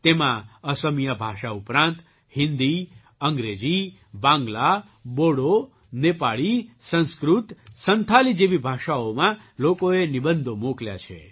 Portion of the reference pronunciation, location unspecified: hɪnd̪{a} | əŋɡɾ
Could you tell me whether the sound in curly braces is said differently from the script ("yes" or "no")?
yes